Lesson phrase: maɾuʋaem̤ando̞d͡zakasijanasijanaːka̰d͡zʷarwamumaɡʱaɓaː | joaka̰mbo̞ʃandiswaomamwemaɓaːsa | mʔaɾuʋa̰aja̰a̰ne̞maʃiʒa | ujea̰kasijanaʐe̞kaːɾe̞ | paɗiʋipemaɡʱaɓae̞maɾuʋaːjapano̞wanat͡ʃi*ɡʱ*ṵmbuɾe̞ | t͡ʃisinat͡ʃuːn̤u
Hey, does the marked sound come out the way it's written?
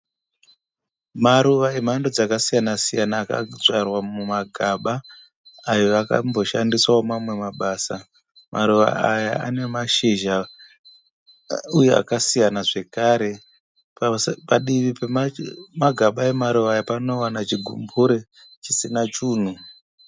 yes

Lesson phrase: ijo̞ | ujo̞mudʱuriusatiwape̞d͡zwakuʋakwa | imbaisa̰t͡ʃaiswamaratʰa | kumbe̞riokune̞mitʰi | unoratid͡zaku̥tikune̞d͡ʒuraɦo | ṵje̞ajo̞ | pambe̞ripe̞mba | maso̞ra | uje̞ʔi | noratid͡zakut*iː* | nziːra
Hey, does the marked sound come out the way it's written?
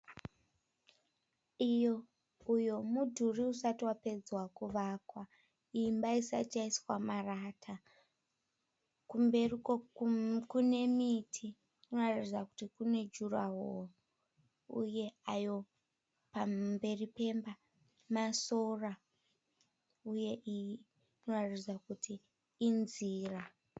yes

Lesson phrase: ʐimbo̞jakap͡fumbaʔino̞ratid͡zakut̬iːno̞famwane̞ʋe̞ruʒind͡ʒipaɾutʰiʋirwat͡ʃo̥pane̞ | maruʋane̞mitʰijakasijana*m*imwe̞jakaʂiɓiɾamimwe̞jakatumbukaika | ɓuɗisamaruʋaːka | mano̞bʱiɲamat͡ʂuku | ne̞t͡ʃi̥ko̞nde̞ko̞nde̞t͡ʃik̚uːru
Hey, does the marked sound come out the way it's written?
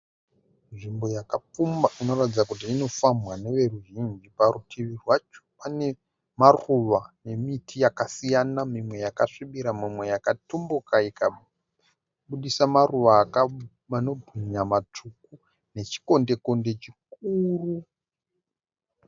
yes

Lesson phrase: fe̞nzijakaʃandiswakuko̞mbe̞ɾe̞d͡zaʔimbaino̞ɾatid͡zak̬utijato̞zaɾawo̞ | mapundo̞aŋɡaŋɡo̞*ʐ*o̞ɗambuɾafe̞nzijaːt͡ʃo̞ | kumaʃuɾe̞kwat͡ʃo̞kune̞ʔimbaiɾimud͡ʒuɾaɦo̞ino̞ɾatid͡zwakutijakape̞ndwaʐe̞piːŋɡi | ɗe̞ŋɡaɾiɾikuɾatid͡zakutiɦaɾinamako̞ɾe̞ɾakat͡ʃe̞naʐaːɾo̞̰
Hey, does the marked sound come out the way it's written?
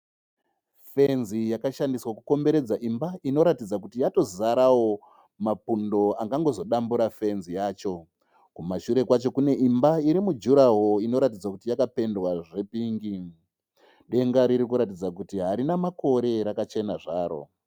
no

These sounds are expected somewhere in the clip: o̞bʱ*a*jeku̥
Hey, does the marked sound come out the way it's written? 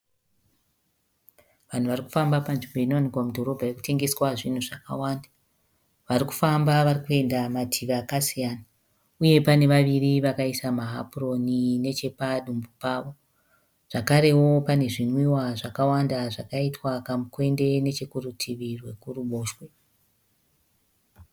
yes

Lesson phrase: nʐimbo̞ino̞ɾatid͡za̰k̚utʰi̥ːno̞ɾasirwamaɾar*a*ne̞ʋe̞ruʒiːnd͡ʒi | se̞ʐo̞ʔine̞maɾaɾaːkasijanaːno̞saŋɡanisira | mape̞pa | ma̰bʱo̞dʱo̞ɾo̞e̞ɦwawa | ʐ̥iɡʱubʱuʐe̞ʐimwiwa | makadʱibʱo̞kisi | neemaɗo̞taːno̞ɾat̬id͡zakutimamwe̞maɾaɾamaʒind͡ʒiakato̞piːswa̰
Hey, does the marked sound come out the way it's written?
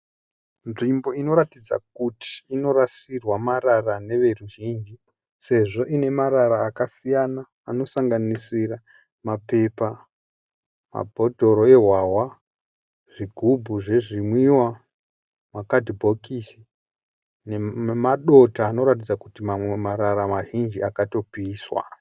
yes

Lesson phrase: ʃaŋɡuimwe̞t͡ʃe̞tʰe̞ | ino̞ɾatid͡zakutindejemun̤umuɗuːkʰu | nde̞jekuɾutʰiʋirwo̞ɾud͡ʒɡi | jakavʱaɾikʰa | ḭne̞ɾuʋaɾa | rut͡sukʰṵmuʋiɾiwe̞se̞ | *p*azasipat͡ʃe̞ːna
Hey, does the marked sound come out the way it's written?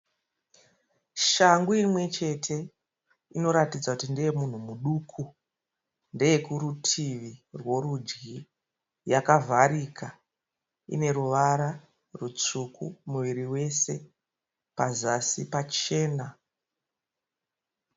yes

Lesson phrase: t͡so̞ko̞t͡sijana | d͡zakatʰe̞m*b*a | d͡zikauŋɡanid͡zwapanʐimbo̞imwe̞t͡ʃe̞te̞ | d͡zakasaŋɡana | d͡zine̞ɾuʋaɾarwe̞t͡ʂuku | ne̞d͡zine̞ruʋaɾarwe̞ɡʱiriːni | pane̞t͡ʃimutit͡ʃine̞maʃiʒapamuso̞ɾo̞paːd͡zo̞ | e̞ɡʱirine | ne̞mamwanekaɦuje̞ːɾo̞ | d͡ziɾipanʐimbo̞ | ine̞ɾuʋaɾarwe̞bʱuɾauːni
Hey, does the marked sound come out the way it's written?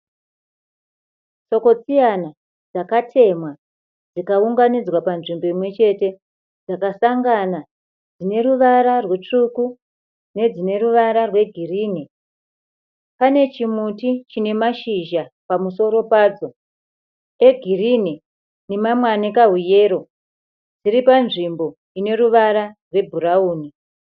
no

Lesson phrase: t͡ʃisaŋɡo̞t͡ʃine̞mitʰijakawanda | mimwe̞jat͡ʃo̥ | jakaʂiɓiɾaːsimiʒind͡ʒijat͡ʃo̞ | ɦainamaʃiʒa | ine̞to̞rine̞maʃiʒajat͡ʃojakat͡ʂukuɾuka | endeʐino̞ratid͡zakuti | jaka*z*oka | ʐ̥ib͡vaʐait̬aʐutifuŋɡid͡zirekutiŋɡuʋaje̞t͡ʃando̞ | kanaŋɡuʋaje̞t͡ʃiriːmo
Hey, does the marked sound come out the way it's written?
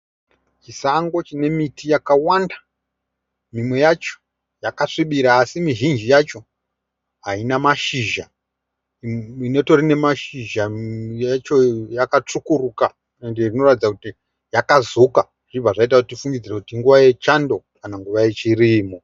yes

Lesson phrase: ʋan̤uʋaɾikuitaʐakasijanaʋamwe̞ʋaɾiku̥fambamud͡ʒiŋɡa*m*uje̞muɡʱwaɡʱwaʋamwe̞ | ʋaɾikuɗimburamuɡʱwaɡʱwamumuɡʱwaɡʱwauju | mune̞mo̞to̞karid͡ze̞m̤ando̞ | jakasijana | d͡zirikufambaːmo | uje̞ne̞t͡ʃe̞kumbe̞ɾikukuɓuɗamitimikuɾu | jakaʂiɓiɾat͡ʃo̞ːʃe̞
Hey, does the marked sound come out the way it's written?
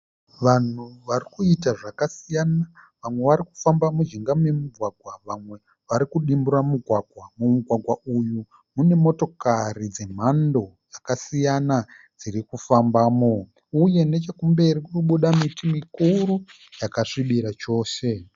yes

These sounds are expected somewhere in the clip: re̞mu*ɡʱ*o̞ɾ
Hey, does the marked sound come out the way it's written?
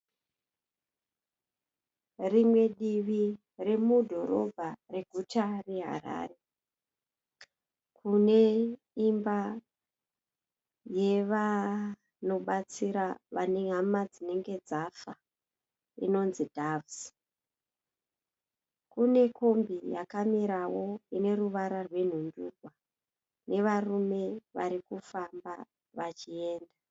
no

